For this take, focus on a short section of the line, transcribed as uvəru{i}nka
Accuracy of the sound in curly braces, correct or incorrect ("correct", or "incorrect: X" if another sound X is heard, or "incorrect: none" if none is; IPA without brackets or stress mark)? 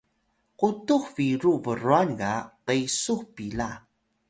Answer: incorrect: a